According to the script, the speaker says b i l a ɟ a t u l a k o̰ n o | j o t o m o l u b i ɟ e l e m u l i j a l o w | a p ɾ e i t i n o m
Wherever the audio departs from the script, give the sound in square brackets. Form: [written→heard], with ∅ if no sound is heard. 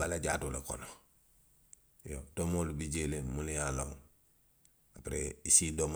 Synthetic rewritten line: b [i→a] l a ɟ a t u l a k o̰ n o | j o t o m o l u b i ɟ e l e m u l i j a l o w | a p ɾ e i [t→s] i [n→d] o m